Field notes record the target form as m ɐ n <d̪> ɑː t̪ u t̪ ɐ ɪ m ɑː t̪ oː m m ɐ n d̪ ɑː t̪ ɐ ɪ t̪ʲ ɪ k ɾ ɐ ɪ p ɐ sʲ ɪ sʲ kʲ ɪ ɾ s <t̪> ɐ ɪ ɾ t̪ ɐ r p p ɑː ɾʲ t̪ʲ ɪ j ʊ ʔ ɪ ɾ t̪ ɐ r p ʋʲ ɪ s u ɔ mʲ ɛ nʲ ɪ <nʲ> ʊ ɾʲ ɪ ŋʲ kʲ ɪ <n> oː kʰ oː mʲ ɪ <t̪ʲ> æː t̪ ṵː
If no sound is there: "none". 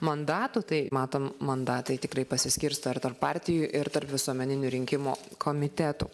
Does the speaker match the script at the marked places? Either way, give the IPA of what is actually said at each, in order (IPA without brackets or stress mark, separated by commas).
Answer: d̪, t̪, nʲ, m, t̪ʲ